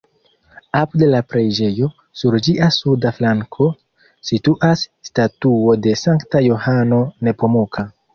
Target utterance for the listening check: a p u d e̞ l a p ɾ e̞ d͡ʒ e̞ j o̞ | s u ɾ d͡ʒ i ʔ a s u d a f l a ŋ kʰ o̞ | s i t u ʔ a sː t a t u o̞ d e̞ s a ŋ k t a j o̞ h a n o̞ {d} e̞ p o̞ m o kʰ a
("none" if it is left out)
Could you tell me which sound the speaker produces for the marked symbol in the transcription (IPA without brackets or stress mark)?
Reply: n